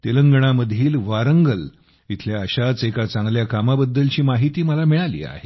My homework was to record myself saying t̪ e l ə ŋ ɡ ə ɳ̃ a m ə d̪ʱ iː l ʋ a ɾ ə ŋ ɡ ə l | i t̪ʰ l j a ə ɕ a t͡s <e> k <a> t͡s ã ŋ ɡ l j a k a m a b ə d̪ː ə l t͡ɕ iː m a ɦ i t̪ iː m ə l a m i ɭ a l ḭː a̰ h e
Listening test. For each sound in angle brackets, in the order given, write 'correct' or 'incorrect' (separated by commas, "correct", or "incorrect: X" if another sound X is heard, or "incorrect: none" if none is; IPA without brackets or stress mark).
correct, correct